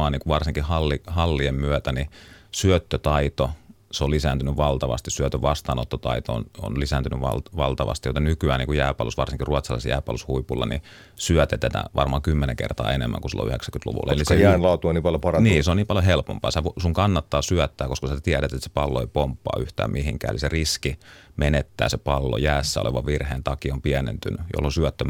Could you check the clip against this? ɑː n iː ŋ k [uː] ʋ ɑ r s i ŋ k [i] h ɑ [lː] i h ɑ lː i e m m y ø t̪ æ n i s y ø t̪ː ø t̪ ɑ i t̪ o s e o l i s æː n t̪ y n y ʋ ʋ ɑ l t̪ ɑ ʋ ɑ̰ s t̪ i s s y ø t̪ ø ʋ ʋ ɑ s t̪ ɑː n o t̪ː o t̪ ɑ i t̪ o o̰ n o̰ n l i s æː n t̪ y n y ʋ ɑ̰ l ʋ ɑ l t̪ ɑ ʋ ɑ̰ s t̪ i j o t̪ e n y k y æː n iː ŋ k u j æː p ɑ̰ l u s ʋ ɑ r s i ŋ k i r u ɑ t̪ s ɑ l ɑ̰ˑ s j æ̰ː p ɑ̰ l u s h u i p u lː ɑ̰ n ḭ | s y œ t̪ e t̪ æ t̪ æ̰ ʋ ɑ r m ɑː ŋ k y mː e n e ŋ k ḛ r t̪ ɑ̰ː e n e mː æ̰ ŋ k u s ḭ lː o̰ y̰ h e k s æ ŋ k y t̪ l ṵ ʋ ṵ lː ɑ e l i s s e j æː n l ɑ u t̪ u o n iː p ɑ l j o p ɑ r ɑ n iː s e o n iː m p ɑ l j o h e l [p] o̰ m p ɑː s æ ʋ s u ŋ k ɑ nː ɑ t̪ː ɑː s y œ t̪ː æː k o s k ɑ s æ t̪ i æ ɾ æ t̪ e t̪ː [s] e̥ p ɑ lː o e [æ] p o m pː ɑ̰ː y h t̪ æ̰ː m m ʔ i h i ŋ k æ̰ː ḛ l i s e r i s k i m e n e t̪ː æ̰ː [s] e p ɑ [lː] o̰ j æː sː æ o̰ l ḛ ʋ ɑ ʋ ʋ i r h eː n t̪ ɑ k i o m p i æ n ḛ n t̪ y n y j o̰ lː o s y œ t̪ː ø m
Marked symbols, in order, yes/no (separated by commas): no, yes, yes, yes, yes, no, yes, yes